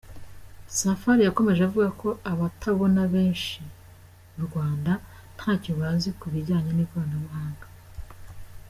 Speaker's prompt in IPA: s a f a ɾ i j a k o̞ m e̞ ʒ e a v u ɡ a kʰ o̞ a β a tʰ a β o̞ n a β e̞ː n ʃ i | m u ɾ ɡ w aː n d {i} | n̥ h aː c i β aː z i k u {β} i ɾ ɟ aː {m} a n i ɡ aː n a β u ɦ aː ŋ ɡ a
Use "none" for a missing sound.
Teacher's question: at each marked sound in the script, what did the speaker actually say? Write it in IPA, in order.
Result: a, β, ɲ

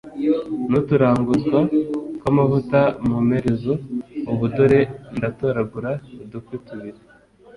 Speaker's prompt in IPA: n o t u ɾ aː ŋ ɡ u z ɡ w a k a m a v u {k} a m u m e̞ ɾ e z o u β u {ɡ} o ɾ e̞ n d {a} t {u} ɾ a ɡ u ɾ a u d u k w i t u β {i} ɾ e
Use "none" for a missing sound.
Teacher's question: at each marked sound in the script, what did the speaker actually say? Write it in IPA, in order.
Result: t, d, a, o, i

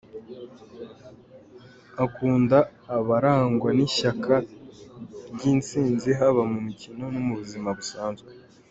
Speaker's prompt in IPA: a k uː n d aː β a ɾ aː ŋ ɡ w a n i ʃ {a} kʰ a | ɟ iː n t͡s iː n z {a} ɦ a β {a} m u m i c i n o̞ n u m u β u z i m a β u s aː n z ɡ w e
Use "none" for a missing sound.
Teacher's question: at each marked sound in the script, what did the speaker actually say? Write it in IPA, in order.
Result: a, i, a

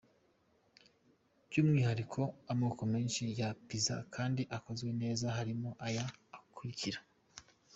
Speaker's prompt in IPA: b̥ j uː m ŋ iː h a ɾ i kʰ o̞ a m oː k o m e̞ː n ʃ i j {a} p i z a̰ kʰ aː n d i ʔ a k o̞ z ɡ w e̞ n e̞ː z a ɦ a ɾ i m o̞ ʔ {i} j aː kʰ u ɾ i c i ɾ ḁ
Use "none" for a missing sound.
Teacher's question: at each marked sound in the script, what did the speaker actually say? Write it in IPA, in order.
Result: a, a

